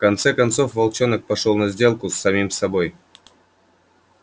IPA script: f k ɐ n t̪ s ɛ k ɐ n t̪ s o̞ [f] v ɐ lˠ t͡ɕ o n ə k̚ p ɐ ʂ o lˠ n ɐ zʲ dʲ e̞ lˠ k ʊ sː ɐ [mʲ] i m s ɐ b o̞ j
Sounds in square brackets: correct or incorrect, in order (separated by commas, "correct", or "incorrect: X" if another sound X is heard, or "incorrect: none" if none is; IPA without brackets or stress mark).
correct, correct